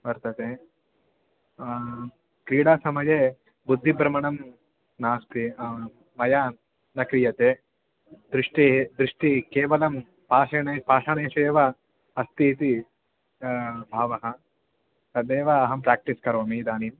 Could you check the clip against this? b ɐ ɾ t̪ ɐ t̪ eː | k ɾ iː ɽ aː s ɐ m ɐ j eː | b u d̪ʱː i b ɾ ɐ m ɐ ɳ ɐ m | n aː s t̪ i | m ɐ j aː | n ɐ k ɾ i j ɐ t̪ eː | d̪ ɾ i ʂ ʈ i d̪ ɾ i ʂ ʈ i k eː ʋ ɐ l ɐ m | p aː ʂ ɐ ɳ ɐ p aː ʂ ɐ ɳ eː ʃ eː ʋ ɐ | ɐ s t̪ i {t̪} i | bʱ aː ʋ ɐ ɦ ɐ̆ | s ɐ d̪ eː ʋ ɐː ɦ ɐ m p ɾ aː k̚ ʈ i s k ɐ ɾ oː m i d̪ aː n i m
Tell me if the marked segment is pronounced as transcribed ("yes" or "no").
yes